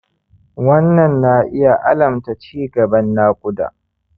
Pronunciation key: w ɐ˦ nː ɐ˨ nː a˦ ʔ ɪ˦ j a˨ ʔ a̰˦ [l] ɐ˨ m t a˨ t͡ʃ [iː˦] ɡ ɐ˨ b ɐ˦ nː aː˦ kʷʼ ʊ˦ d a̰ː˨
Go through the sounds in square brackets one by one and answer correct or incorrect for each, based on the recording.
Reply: correct, correct

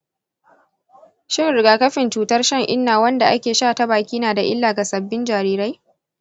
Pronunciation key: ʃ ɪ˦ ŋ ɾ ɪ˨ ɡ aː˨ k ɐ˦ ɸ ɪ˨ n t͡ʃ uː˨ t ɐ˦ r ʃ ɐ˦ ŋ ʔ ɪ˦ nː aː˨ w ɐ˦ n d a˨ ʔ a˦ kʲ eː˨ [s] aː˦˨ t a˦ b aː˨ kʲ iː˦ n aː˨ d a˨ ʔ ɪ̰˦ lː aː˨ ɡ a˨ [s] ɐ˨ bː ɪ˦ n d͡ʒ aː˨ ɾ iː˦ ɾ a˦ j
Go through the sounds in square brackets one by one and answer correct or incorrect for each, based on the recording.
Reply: incorrect: ʃ, correct

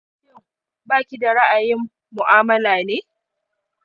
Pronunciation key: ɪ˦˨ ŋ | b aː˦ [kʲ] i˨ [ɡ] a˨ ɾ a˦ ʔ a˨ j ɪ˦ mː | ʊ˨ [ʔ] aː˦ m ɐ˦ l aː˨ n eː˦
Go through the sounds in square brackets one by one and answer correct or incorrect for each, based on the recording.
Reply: correct, incorrect: d, correct

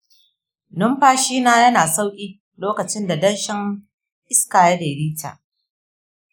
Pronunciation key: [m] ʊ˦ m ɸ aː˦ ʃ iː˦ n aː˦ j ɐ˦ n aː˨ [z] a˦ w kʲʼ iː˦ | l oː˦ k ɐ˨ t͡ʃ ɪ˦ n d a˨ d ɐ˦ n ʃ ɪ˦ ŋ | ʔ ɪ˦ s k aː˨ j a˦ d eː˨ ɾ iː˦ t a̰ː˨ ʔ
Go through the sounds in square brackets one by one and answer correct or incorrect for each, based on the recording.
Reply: incorrect: n, incorrect: s

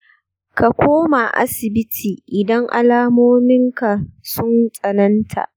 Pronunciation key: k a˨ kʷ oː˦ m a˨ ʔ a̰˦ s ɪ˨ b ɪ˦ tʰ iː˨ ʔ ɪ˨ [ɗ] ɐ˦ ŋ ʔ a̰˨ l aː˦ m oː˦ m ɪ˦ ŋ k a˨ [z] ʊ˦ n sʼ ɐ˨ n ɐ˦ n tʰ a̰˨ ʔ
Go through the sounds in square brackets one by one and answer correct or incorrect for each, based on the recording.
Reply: incorrect: d, incorrect: s

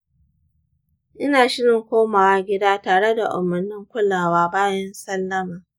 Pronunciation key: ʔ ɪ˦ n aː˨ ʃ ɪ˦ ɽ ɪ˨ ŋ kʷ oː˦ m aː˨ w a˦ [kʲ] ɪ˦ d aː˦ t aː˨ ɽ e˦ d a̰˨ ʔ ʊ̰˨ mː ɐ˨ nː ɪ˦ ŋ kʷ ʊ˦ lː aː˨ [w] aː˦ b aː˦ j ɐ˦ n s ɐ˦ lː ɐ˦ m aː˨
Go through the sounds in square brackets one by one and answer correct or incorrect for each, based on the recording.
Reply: incorrect: ɡʲ, correct

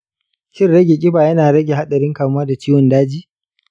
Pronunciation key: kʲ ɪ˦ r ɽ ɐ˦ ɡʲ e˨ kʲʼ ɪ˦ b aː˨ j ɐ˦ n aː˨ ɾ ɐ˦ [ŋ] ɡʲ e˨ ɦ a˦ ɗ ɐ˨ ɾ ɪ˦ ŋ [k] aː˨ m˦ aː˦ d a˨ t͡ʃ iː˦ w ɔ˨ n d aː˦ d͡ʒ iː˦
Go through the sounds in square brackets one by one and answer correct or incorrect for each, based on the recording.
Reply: incorrect: none, correct

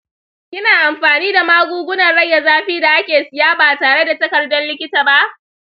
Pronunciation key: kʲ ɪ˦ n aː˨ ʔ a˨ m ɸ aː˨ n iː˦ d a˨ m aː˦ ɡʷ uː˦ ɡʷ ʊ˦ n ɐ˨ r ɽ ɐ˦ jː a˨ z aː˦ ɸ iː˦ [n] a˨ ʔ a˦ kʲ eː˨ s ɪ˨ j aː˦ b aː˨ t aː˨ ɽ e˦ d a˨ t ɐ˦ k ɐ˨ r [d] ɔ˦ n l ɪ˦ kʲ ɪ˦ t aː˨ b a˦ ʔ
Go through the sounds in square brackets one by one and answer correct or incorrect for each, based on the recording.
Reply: incorrect: d, correct

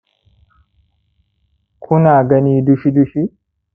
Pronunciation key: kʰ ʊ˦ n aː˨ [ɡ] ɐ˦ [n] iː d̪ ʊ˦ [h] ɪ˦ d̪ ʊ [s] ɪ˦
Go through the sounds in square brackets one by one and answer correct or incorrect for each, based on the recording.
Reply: correct, correct, incorrect: ʃ, incorrect: ʃ

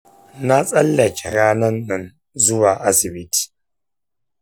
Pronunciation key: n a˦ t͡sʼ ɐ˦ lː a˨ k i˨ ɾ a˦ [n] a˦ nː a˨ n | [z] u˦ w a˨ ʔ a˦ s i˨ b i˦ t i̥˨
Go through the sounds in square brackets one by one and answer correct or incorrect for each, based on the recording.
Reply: correct, correct

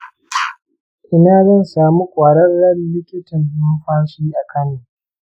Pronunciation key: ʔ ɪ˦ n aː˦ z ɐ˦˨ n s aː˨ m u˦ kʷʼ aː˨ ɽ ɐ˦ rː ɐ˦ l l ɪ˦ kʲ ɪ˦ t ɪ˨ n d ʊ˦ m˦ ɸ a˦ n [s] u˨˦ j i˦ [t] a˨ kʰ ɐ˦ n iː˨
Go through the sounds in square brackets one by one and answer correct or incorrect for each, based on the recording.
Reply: correct, incorrect: ʔ

